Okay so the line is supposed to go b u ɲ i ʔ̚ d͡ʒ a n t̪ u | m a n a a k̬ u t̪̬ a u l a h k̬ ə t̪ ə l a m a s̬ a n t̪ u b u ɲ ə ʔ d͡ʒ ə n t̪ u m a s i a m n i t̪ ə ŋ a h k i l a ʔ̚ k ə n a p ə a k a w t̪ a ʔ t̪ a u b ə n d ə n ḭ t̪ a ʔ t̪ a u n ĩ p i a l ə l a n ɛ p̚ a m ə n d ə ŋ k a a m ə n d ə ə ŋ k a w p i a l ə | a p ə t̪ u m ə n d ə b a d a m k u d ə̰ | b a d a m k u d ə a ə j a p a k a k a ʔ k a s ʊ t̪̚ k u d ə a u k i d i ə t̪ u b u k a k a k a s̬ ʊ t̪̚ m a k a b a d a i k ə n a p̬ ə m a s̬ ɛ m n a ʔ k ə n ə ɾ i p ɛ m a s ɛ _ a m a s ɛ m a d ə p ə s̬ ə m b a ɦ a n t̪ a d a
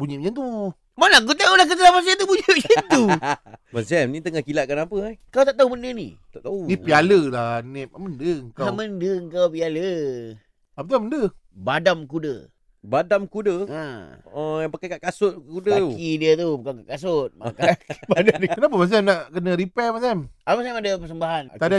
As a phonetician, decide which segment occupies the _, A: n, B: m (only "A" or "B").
B